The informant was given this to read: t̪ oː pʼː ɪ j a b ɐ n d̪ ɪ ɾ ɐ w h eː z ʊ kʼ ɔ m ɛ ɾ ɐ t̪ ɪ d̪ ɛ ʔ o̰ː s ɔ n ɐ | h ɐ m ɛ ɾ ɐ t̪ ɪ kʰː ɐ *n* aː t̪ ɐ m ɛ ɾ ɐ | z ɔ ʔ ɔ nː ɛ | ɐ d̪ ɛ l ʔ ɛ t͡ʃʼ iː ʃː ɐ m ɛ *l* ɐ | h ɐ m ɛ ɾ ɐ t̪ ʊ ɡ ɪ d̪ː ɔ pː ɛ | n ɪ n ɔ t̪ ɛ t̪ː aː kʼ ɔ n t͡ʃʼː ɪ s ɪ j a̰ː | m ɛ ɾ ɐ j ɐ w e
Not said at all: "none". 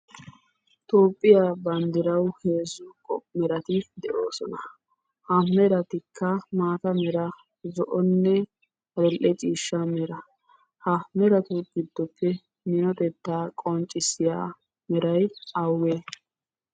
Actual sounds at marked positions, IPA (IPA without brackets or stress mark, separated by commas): m, ɾ